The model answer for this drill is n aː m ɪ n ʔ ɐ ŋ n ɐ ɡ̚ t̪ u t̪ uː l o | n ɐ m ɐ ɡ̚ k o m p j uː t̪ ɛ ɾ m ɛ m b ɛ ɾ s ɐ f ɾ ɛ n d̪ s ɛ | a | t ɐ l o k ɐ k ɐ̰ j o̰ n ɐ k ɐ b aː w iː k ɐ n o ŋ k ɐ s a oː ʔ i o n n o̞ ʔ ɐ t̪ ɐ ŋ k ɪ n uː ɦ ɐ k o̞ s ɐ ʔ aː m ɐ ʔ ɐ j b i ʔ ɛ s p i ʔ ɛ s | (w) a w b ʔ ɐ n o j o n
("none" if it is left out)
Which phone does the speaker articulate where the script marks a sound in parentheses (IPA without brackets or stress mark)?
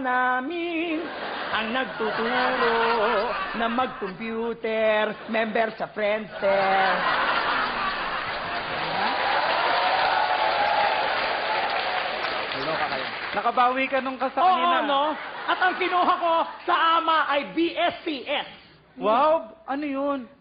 w